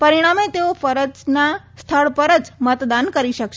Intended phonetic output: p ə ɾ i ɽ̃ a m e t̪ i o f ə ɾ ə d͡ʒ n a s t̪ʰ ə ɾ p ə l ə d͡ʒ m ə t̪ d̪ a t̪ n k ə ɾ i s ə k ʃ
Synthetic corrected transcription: p ə ɾ i ɽ̃ a m e t̪ e o f ə ɾ ə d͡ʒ n a s t̪ʰ ə ɭ p ə ɾ ə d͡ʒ m ə t̪ d̪ a n k ə ɾ i ʃ ə k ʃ